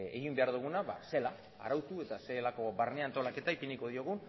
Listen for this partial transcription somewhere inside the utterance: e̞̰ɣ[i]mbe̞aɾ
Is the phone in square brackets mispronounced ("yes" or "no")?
no